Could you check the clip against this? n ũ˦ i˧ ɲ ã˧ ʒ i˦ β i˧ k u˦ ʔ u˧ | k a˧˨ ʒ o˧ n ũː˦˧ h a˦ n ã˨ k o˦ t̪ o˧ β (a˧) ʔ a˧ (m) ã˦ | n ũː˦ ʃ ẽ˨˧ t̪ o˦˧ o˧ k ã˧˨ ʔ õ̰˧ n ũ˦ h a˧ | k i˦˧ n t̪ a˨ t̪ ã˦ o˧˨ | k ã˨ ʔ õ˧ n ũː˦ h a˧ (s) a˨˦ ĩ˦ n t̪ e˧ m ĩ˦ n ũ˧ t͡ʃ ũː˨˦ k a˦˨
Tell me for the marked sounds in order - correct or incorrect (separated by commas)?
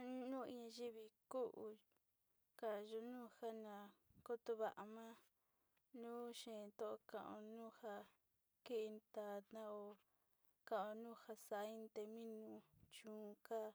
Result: correct, correct, correct